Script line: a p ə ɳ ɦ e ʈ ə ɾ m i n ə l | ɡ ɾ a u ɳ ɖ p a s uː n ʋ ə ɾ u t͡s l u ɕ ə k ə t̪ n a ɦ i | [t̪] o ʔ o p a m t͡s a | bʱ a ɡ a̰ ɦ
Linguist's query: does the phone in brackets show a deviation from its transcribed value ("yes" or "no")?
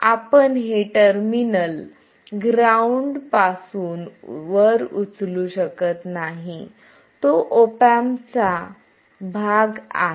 no